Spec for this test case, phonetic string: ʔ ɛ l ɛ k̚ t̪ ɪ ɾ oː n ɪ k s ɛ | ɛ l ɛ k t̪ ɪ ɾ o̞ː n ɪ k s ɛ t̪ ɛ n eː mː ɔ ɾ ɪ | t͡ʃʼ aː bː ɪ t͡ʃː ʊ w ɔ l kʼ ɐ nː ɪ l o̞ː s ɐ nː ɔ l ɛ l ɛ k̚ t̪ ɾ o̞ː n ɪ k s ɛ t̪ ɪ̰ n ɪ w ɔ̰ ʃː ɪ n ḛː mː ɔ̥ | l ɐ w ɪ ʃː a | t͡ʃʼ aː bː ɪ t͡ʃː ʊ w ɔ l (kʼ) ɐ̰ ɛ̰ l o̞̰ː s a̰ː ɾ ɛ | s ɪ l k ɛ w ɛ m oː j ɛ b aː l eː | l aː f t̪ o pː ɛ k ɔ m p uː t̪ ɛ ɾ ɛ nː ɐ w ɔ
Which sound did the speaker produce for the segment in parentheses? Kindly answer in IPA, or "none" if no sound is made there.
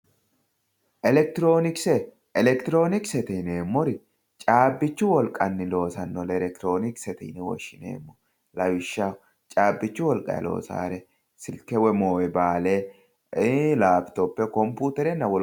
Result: kʼ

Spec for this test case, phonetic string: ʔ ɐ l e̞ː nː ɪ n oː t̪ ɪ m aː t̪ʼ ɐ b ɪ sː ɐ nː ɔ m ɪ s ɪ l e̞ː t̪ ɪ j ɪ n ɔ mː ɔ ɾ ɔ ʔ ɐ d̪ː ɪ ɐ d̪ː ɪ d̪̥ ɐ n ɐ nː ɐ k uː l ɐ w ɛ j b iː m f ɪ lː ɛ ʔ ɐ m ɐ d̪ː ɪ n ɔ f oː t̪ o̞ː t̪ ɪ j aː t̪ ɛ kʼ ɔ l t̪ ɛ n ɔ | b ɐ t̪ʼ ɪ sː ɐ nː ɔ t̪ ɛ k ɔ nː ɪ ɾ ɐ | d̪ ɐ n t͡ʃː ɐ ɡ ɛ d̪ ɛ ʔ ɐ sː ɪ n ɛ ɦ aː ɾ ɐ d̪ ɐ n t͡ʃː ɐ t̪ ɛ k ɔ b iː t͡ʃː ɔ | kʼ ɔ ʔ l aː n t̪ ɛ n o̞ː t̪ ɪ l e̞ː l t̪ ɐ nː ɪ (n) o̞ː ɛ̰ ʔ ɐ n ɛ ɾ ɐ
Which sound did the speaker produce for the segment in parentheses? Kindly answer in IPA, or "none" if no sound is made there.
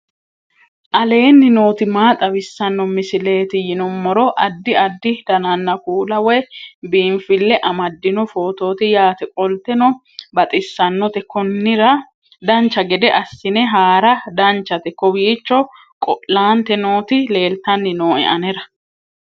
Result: n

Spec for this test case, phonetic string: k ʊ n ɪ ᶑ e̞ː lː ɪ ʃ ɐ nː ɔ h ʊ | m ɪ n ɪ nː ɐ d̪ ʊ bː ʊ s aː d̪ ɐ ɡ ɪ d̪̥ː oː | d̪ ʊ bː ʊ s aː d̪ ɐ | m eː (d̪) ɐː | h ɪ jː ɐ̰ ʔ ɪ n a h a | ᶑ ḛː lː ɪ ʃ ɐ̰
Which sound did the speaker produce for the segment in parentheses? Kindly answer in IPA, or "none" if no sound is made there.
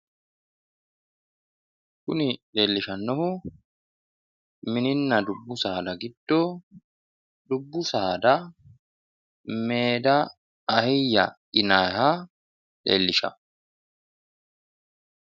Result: d̪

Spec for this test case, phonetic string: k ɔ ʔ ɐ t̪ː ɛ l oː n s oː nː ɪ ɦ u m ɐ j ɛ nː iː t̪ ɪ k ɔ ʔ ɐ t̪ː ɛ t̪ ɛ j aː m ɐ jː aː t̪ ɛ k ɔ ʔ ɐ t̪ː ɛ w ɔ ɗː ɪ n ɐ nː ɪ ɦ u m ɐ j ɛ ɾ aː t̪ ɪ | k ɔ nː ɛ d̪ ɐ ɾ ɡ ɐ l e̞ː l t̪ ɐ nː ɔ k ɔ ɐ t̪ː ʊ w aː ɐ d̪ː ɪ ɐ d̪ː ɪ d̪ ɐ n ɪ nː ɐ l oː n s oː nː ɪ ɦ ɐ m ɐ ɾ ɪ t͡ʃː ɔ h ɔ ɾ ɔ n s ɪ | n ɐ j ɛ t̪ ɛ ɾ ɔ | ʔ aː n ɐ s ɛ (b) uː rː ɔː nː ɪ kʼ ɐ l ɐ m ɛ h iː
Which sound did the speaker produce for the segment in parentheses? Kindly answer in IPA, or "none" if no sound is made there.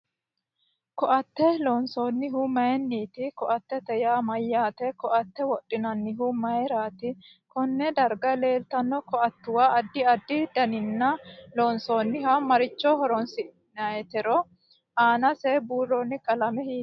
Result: b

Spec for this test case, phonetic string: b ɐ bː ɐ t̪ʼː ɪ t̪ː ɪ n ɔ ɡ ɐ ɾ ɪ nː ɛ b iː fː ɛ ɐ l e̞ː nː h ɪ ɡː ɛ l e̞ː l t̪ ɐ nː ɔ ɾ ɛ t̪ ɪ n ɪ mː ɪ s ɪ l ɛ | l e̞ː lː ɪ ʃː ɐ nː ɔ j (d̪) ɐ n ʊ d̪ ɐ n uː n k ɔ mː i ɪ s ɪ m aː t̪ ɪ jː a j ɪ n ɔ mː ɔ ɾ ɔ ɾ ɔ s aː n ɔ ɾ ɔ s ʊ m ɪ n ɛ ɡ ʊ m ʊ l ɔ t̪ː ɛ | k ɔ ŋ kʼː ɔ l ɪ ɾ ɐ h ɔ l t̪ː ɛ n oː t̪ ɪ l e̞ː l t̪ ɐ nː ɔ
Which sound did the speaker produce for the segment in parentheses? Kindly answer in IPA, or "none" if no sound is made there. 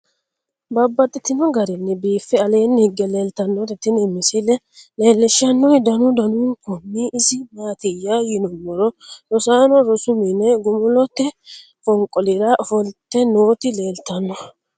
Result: d̪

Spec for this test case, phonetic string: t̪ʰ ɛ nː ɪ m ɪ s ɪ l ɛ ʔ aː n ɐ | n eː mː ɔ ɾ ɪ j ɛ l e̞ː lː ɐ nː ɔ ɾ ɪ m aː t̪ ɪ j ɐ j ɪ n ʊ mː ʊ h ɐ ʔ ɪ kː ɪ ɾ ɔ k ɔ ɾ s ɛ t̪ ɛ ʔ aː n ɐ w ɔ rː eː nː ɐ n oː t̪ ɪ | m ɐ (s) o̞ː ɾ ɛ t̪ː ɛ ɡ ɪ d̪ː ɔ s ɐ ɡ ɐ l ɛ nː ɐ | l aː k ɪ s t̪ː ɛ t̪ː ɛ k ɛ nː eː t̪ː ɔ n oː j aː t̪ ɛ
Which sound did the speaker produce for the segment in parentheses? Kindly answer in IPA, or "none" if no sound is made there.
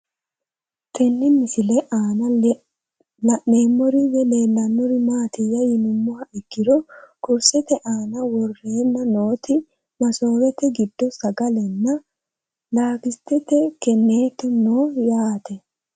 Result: s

